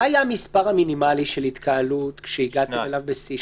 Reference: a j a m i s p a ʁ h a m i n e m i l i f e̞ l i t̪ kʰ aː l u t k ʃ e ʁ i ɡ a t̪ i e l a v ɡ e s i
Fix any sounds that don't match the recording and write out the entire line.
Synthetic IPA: a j a m i s p a ʁ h a m i n i m a l i ʃ e̞ l i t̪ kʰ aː l u t k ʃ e i ɡ a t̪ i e l a v b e s i